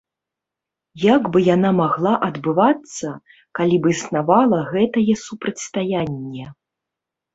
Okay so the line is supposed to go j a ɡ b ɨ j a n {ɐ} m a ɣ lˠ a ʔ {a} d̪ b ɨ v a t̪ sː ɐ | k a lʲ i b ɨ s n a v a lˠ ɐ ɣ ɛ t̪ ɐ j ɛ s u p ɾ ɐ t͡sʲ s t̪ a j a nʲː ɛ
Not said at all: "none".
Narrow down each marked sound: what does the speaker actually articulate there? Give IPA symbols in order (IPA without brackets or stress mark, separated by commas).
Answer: a, ɐ